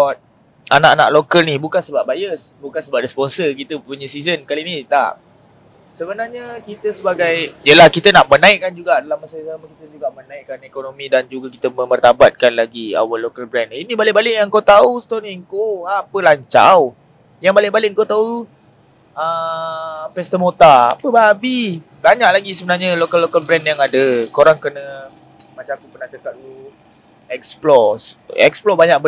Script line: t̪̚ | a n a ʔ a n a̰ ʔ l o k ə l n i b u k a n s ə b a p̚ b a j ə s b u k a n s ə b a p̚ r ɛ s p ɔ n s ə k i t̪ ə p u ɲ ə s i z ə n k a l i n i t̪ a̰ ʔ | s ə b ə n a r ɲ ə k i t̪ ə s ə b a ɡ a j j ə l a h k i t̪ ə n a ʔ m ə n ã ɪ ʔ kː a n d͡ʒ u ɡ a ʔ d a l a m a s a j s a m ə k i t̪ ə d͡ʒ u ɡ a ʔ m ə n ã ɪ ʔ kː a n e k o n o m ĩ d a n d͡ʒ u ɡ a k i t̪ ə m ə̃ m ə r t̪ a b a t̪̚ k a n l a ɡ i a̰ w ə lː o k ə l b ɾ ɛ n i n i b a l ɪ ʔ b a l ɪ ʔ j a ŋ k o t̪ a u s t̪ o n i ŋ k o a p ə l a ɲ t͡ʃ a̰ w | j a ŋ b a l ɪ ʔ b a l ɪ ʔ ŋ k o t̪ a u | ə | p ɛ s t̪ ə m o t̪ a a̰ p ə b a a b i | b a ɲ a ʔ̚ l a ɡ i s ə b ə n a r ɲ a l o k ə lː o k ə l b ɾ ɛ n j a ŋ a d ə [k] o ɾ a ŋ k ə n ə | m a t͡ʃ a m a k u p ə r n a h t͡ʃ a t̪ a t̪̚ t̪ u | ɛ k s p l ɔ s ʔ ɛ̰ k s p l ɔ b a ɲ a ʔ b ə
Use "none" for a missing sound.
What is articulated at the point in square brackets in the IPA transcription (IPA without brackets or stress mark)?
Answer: k